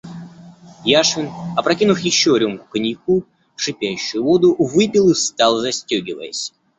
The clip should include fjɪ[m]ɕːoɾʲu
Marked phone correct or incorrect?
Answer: incorrect